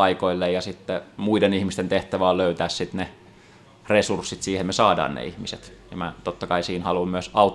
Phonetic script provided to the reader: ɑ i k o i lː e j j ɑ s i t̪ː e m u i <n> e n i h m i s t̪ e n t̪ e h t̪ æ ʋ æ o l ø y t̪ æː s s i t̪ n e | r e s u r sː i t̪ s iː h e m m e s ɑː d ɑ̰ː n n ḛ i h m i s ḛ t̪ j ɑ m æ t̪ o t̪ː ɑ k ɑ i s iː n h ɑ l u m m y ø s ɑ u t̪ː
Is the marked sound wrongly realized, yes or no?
yes